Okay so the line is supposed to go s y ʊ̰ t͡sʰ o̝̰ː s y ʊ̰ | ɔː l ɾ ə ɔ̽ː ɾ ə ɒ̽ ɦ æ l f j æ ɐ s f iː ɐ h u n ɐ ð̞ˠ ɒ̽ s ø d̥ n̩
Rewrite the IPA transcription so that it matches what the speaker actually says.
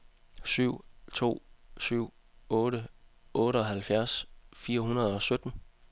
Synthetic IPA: s y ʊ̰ t͡sʰ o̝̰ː s y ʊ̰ | ɔː ɾ ə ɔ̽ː ɾ ə ɒ̽ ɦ æ l f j æ ɐ s f iː ɐ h u n ɐ ð̞ˠ ɒ̽ s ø d̥ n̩